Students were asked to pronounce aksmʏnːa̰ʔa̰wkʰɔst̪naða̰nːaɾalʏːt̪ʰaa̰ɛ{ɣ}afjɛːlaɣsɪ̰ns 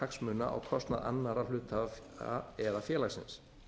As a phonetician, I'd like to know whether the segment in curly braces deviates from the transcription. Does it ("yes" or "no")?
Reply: yes